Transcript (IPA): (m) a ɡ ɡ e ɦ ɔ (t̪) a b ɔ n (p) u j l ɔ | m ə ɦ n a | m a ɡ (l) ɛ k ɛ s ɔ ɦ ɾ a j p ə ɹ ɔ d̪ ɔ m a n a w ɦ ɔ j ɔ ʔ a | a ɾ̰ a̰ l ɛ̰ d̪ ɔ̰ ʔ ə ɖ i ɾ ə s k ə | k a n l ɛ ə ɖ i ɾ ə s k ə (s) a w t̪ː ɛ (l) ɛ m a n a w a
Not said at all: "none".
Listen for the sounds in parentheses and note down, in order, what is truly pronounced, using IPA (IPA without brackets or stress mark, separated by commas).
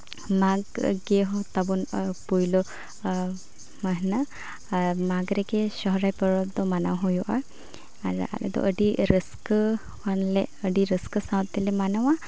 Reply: m, t̪, p, ɾ, s, l